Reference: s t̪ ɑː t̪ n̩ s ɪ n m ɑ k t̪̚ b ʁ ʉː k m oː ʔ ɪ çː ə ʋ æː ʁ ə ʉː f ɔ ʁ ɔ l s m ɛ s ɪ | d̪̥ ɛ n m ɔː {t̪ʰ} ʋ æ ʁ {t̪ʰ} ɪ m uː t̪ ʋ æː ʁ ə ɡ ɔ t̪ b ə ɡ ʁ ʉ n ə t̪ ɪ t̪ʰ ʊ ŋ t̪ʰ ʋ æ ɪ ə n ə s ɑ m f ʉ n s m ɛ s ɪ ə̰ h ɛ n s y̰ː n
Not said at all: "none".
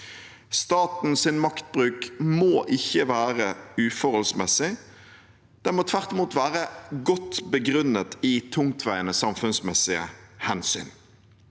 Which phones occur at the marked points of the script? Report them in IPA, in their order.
t̪ʰ, t̪

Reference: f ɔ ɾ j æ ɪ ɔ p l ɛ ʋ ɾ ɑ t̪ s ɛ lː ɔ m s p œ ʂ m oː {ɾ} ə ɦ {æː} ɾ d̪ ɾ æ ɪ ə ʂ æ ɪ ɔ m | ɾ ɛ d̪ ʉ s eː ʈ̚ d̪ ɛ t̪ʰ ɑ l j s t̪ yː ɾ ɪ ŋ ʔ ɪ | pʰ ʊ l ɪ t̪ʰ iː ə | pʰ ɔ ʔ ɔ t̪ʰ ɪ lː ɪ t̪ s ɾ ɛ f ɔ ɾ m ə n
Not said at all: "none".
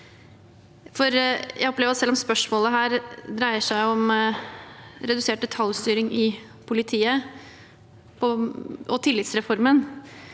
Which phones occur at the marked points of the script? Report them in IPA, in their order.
l, æː

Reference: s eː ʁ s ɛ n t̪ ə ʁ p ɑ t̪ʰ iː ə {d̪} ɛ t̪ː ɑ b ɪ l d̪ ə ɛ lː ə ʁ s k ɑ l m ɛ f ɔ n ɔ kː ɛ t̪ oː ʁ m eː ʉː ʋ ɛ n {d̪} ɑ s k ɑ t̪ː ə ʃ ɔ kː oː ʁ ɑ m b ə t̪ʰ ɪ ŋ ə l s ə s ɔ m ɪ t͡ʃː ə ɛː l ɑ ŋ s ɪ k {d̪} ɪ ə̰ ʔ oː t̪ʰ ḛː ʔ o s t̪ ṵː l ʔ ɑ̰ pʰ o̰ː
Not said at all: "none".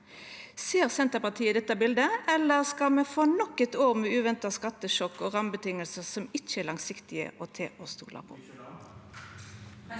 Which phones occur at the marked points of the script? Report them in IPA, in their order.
d̪, t̪, t̪

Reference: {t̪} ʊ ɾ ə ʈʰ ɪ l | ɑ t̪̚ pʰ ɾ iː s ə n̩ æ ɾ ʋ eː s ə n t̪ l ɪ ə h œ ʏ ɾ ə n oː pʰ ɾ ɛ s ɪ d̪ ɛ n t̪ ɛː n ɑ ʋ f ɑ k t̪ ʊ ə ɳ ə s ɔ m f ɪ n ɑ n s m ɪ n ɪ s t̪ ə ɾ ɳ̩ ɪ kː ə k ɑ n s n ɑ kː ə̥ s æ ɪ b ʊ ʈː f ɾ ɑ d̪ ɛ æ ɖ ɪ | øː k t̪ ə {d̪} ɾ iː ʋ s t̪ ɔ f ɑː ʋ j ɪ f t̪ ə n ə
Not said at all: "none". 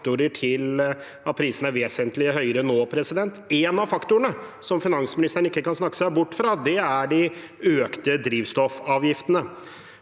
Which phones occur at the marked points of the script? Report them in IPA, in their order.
t̪, d̪

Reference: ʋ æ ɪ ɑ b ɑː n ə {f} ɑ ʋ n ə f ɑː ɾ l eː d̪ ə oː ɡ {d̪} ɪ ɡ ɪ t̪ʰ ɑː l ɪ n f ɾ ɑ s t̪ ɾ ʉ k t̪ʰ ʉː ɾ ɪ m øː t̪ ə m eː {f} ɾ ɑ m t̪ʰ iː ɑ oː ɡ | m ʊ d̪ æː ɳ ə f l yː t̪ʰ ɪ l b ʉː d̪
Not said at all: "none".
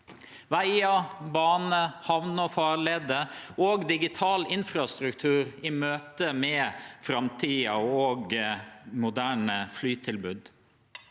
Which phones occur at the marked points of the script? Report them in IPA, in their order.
h, d̪, f

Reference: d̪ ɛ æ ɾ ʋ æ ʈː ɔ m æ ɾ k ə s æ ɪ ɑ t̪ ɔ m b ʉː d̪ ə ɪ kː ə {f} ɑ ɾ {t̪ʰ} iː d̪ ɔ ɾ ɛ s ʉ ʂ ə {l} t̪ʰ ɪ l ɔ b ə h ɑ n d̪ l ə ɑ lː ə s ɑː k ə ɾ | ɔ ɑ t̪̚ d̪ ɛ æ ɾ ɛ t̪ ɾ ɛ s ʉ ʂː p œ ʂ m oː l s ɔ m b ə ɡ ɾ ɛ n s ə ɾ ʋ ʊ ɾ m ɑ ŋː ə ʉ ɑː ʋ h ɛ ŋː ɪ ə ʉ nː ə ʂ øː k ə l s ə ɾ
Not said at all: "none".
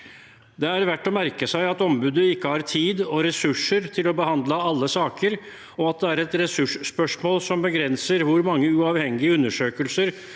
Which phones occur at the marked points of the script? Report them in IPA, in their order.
h, t̪ʰ, ɾ

